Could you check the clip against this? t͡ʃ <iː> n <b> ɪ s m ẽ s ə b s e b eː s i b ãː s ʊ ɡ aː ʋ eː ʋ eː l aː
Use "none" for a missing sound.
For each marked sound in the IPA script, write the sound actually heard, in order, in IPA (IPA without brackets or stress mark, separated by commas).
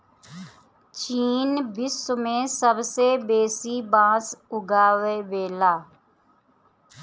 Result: iː, b